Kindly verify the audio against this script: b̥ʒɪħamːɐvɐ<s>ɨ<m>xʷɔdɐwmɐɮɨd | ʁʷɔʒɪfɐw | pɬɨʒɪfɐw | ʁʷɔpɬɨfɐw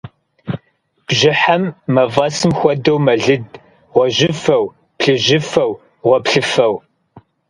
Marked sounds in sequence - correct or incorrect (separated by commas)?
correct, correct